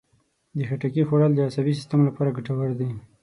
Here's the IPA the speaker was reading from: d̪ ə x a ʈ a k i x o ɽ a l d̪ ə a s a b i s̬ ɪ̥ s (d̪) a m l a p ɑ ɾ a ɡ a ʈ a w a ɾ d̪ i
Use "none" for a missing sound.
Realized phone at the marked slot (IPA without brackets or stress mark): t̪